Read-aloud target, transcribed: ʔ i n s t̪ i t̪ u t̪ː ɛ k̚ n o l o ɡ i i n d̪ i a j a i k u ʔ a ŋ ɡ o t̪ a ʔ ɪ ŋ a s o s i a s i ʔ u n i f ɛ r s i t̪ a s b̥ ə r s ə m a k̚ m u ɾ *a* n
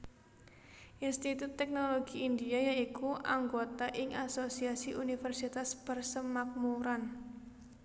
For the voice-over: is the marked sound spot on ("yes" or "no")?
yes